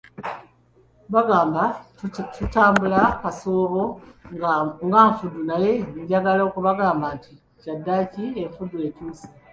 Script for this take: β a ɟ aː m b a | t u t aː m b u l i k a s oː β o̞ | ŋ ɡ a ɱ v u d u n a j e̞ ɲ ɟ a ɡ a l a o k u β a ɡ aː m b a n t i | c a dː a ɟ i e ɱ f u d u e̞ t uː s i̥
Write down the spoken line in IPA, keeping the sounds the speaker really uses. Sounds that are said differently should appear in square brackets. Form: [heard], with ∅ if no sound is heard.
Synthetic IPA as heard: β a [ɡ] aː m b a | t u t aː m b u l [a] k a s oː β o̞ | ŋ ɡ a ɱ [f] u d u n a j e̞ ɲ ɟ a ɡ a l a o k u β a ɡ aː m b a n t i | c a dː a [c] i e ɱ f u d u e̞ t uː s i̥